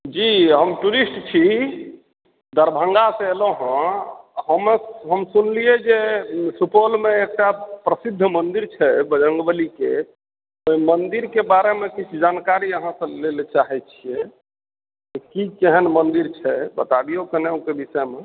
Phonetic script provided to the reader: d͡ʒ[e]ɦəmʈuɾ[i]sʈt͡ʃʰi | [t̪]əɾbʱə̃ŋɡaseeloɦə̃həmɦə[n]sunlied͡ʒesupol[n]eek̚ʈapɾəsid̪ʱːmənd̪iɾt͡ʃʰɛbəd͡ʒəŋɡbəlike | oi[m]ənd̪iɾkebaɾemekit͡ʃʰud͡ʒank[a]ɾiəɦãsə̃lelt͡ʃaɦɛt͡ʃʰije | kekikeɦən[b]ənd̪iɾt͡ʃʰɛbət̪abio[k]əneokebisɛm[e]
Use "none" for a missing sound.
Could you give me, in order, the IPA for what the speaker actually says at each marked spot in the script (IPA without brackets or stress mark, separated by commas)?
i, i, d̪, m, m, m, a, m, k, e